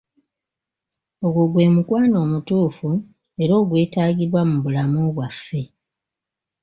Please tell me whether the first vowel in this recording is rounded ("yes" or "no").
yes